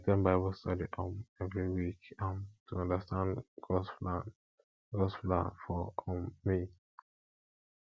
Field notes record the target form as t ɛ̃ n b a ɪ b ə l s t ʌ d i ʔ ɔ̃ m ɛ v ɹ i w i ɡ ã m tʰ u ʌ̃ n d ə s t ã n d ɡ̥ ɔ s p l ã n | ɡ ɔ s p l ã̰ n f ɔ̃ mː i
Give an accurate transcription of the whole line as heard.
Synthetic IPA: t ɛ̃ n b a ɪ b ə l s t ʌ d i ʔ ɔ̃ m ɛ v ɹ i w i k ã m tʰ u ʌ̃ n d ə s t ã n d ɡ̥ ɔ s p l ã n | ɡ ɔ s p l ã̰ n f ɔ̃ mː i

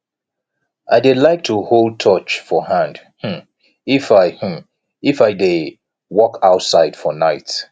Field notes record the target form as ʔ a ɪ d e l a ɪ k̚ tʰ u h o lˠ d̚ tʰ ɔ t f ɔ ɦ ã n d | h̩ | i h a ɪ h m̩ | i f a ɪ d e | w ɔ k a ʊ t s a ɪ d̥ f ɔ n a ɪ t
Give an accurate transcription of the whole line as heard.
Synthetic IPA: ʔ a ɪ d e l a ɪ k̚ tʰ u h o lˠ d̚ tʰ ɔ t͡ʃ f ɔ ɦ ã n d | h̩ | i f a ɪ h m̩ | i f a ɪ d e | w ɔ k a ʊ t s a ɪ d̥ f ɔ n a ɪ t

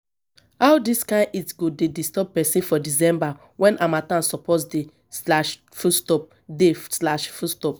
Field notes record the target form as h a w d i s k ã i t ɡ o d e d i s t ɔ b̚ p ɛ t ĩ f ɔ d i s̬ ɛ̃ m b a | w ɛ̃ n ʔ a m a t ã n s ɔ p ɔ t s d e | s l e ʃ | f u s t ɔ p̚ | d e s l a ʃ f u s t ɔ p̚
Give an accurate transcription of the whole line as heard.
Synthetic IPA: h a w d i s k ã i t ɡ o d e d i s t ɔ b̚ p ɛ s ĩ f ɔ d i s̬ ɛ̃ m b a | w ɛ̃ n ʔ a m a t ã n s ɔ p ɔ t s d e | s l a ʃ | f u s t ɔ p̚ | d e s l a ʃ f u s t ɔ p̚

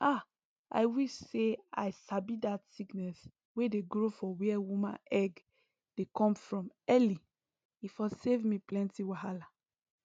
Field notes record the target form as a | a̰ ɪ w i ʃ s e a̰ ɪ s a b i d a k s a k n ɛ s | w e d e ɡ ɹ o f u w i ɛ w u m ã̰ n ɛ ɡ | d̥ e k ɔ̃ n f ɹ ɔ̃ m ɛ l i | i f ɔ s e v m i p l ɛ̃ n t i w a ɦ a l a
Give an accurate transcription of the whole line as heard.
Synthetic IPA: a | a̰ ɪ w i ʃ s e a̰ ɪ s a b i d a t s i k n ɛ s | w e d e ɡ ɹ o f ɔ w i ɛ w u m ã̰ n ɛ ɡ | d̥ e k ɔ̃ m f ɹ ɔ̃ m ɛ l i | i f ɔ s e v m i p l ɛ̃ n t i w a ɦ a l a

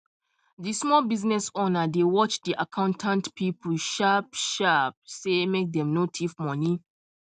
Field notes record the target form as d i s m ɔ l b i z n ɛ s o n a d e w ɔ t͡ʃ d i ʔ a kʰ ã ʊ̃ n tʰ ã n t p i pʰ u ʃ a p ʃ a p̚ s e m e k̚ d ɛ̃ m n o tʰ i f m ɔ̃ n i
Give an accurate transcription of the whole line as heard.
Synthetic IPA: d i s m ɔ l b i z n ɛ s o n a d e w ɔ t͡ʃ d i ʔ a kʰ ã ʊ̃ n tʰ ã n t p i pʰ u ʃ a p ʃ a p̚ s e m e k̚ d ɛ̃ m n o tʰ i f m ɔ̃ n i

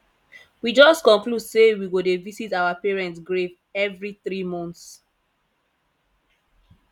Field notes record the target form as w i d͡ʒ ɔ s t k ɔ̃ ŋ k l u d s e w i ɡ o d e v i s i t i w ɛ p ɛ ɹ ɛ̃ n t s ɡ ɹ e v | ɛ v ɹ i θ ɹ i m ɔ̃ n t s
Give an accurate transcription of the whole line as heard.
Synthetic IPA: w i d͡ʒ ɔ s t k ɔ̃ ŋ k l u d s e w i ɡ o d e v i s i t a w a p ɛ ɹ ɛ̃ n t s ɡ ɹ e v | ɛ v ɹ i θ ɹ i m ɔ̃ n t s

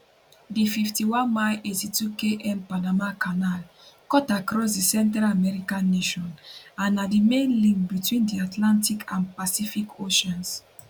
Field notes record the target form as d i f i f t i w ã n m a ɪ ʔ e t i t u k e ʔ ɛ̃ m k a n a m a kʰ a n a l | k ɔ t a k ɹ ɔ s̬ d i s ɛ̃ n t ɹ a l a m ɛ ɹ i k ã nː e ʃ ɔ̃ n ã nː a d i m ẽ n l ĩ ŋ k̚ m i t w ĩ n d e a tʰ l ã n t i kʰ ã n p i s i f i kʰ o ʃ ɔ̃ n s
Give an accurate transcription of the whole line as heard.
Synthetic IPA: d i f i f t i w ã n m a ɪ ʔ e t i t u k e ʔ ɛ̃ m p a n a m a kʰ a n a l | k ɔ t a k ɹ ɔ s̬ d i s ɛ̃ n t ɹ a l a m ɛ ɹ i k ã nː e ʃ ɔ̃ n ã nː a d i m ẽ n l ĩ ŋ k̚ b i t w ĩ n d i a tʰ l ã n t i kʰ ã n p a s i f i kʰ o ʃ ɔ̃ n s

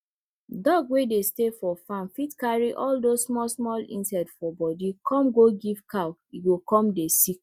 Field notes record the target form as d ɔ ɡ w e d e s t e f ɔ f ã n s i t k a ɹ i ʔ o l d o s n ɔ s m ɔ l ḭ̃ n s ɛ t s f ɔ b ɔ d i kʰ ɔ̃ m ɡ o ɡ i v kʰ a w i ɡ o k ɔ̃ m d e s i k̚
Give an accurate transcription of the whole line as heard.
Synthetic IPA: d ɔ ɡ w e d e s t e f ɔ f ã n f i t k a ɹ i ʔ ɔ l d o s m ɔ s m ɔ l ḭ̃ n s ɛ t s f ɔ b ɔ d i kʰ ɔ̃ m ɡ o ɡ i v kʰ a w i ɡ o k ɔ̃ m d e s i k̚

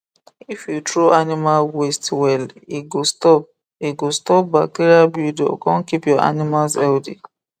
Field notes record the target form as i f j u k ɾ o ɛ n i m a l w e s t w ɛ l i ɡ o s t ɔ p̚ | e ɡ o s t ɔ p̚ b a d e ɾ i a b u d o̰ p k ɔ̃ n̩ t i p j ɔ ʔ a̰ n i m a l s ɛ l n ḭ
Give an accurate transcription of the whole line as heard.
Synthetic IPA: i f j u t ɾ o a n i m a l w e s t w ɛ l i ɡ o s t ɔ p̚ | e ɡ o s t ɔ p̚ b a t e ɾ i a b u d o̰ k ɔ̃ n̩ k i p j ɔ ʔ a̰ n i m a l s ɛ l d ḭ

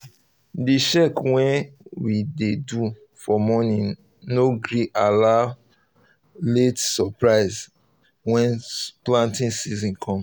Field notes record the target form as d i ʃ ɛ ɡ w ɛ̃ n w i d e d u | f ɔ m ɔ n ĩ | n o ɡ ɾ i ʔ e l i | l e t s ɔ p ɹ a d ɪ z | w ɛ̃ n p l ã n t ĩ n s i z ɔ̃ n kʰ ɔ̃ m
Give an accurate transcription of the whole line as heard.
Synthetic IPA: d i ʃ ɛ k w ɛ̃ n w i d e d u | f ɔ m ɔ n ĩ | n o ɡ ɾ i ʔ a l a | l e t s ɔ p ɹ a ɪ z | w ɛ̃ n p l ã n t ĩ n s i z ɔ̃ n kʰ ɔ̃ m

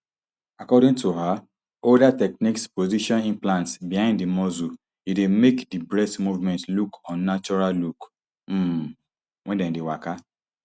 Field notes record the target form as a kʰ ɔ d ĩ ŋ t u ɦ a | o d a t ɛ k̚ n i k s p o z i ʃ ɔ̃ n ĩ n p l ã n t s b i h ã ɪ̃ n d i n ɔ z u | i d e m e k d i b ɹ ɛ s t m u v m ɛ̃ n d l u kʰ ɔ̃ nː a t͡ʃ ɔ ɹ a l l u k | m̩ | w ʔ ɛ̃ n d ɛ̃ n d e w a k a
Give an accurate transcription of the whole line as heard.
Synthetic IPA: a k ɔ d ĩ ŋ t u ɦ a | o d a t ɛ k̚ n i k s p o z i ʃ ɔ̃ n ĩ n p l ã n t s b i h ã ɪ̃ n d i m ɔ z u | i d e m e k d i b ɹ ɛ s t m u v m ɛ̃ n t l u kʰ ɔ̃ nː a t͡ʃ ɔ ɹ a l l u k | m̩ | w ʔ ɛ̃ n d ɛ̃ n d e w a k a

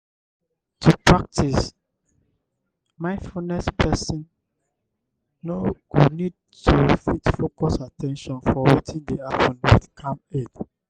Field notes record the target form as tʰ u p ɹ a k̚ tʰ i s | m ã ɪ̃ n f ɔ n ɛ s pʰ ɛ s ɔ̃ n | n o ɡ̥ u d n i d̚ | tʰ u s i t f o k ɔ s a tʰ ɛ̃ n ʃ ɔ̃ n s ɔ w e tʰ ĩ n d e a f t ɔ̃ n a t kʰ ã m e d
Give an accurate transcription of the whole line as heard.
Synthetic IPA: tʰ u p ɹ a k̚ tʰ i s | m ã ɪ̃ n f u n ɛ s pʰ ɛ s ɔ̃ n | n o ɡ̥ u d n i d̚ | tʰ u f i t f o k ɔ s a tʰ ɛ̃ n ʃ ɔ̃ n f ɔ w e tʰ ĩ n d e a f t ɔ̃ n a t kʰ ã m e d

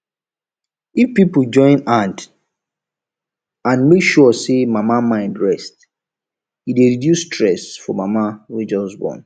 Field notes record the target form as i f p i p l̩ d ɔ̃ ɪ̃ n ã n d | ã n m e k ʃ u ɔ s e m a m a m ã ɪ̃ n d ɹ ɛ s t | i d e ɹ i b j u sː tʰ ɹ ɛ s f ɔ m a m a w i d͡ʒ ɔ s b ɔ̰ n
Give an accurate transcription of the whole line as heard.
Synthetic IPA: i f p i p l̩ d͡ʒ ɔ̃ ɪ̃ n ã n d | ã n m e k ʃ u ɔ s e m a m a m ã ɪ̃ n d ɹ ɛ s t | i d e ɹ i d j u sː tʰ ɹ ɛ s f ɔ m a m a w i d͡ʒ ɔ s b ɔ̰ n

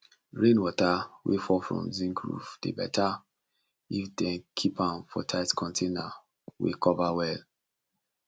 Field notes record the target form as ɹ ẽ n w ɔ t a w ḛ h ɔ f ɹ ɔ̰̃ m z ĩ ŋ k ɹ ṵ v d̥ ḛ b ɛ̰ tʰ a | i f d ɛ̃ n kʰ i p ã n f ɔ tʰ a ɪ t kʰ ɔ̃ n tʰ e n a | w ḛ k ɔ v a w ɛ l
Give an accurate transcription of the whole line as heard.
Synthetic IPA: ɹ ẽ n w ɔ t a w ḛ f ɔ f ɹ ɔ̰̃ m z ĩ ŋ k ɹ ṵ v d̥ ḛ b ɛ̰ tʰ a | i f d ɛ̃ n kʰ i p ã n f ɔ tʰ a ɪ t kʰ ɔ̃ n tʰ e n a | w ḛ k ɔ v a w ɛ l

